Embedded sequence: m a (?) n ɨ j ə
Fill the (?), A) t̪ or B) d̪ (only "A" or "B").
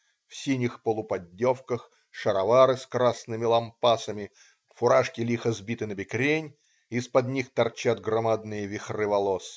B